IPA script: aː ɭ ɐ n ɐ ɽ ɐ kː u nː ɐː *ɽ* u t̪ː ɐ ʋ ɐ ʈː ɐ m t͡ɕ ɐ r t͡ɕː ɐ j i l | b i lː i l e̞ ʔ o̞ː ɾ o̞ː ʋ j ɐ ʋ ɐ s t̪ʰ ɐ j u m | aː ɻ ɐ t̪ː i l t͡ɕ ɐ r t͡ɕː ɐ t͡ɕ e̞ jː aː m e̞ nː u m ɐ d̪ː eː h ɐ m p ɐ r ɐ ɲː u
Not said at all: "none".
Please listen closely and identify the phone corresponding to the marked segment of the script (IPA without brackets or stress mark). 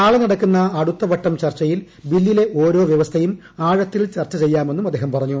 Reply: ɽ